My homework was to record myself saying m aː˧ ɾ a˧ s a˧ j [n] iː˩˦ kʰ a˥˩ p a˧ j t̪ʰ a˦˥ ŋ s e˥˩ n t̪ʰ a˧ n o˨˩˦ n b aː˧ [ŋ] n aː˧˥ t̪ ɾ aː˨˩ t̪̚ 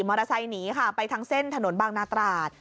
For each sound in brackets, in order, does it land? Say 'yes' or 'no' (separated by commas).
yes, yes